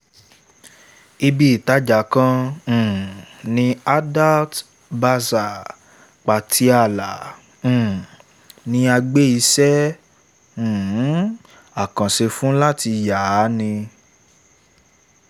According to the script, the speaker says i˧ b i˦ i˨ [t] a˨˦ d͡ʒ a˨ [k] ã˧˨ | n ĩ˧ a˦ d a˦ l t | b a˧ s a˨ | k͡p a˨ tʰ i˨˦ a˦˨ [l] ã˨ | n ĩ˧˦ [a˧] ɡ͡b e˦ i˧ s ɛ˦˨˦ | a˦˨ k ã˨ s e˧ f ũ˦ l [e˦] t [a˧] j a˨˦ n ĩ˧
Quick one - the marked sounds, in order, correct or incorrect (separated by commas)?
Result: correct, correct, correct, correct, incorrect, incorrect